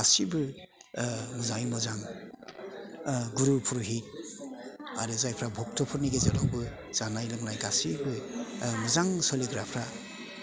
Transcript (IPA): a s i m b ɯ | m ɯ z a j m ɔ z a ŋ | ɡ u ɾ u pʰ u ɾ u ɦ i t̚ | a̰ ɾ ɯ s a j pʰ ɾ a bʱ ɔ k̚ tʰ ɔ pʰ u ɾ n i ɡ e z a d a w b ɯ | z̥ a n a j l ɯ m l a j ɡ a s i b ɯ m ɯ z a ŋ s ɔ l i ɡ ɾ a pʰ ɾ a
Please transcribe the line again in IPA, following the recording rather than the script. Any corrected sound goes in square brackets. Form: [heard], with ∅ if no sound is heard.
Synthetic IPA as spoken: a s i [∅] b ɯ | m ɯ z a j m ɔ z a ŋ | ɡ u ɾ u pʰ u ɾ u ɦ i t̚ | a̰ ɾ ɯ [z] a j pʰ ɾ a bʱ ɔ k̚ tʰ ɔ pʰ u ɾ n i ɡ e z a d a w b ɯ | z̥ a n a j l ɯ [ŋ] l a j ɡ a s i b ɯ m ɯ z a ŋ s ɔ l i ɡ ɾ a pʰ ɾ a